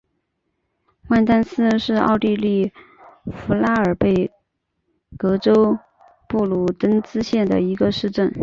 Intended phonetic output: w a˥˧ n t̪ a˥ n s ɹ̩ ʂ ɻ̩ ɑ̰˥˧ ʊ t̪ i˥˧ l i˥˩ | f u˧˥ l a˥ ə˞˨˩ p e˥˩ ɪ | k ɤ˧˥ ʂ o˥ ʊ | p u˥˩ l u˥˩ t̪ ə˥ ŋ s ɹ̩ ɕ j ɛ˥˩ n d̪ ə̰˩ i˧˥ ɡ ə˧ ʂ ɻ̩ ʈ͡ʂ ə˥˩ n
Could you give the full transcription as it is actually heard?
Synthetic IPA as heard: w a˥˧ n t̪ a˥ n s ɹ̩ ʂ ɻ̩ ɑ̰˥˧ ʊ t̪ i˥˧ l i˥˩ | f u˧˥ l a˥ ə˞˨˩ p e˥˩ ɪ | k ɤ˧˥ ʈ͡ʂ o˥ ʊ | p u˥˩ l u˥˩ t̪ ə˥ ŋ t͡s ɹ̩ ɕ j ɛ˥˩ n d̪ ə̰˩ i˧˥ ɡ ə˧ ʂ ɻ̩ ʈ͡ʂ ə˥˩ n